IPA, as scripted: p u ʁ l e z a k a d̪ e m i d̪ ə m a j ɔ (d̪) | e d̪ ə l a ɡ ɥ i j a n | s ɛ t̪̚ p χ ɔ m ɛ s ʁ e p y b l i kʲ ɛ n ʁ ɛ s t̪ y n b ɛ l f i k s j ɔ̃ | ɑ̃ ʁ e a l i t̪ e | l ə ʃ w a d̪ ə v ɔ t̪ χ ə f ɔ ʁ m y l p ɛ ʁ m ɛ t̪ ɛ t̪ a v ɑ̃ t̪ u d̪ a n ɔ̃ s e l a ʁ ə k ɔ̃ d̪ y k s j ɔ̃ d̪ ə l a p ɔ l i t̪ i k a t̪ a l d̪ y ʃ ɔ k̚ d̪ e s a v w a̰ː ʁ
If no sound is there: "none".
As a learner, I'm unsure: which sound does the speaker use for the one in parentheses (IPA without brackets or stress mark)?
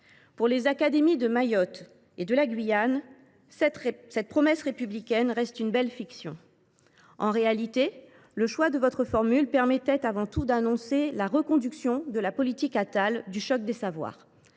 t̪